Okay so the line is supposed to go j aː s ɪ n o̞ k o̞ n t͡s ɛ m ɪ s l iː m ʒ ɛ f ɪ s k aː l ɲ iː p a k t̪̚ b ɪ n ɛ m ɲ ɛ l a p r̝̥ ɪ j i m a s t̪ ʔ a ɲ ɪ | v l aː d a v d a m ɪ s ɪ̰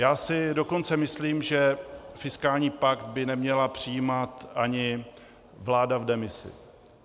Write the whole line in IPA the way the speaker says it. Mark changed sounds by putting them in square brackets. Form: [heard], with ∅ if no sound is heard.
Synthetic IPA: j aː s ɪ [d] o̞ k o̞ n t͡s ɛ m ɪ s l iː m ʒ ɛ f ɪ s k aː l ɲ iː p a k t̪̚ b ɪ n ɛ m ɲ ɛ l a p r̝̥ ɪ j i m a [∅] t̪ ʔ a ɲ ɪ | v l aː d a v d [ɛ] m ɪ s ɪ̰